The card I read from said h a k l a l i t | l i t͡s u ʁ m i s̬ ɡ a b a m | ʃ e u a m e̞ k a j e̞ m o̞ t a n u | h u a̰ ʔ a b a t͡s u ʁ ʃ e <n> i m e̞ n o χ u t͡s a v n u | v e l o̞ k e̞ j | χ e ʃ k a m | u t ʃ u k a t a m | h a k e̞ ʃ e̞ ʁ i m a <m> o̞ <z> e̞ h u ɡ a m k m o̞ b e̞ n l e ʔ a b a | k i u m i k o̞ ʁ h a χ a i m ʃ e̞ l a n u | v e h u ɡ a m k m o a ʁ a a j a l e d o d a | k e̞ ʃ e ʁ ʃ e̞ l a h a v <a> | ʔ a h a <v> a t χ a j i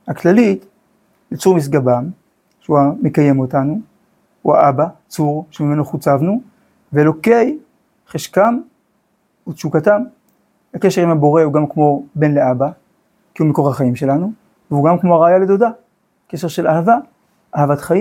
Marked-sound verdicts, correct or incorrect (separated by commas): incorrect, incorrect, incorrect, correct, correct